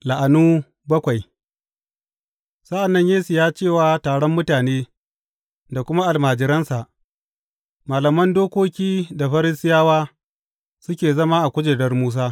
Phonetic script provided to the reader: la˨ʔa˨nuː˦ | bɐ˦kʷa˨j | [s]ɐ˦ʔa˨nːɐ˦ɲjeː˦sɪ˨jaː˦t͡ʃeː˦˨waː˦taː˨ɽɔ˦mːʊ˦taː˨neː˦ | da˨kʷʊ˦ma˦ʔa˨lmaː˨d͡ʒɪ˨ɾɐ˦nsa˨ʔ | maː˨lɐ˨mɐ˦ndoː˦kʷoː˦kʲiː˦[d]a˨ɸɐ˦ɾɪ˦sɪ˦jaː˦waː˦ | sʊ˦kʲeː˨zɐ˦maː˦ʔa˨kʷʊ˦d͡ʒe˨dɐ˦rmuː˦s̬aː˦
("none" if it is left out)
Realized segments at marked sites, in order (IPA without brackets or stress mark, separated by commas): s, d